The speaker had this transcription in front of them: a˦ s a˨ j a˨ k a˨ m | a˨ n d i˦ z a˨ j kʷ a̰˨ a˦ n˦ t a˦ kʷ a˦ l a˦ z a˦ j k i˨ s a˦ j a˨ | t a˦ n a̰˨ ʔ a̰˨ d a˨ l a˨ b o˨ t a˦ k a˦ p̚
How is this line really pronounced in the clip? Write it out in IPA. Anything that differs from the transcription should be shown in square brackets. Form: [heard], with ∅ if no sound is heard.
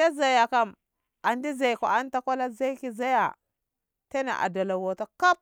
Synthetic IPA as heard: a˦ [z] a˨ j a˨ k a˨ m | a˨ n d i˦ z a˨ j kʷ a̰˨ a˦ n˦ t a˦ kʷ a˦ l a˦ z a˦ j k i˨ [z] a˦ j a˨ | t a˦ n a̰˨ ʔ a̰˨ d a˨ l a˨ [w] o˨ t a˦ k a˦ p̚